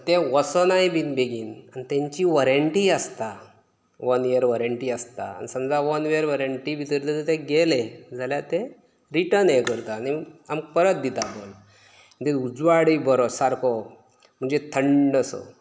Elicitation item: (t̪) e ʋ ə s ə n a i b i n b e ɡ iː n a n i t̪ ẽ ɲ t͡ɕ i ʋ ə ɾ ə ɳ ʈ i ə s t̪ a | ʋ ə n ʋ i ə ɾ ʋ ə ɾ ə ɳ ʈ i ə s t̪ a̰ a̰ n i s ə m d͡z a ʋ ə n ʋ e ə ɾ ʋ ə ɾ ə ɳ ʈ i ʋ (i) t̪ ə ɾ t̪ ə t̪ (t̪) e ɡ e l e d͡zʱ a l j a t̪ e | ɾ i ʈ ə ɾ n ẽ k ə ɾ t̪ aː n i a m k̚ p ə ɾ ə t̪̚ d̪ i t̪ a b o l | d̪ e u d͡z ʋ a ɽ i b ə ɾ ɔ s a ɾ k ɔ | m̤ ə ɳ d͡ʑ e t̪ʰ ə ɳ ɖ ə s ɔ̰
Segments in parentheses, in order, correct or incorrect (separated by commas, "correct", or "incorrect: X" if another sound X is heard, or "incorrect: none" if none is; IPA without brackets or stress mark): correct, correct, correct